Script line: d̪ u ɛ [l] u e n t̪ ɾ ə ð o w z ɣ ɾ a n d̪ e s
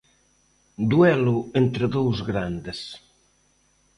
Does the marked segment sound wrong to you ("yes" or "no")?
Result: no